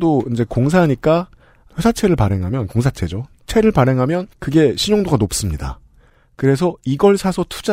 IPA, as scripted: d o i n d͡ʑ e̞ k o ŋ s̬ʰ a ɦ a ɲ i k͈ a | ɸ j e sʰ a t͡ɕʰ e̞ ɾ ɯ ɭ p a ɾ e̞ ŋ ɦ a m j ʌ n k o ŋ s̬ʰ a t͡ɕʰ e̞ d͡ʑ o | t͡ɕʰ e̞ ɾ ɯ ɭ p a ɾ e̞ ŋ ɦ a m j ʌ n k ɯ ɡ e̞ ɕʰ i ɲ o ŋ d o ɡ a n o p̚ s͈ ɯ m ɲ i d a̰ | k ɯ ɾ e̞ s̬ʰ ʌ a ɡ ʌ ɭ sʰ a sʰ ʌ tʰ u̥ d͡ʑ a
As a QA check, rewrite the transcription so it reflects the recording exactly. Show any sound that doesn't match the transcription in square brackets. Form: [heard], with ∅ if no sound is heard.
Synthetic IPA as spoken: d o i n d͡ʑ e̞ k o ŋ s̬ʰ a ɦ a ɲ i k͈ a | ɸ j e sʰ a t͡ɕʰ e̞ ɾ ɯ ɭ p a ɾ e̞ ŋ ɦ a m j ʌ n k o ŋ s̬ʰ a t͡ɕʰ e̞ d͡ʑ o | t͡ɕʰ e̞ ɾ ɯ ɭ p a ɾ e̞ ŋ ɦ a m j ʌ n k ɯ ɡ e̞ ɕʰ i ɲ o ŋ d o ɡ a n o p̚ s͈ ɯ m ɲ i d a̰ | k ɯ ɾ e̞ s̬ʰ ʌ [i] ɡ ʌ ɭ sʰ a sʰ ʌ tʰ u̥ d͡ʑ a